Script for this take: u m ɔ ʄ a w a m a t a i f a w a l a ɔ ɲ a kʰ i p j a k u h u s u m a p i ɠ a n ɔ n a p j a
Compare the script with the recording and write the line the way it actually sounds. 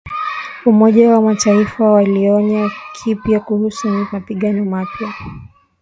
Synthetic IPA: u m ɔ ʄ a w a m a t a i f a w a l i ɔ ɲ a kʰ i p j a k u h u s u m a p i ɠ a n ɔ m a p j a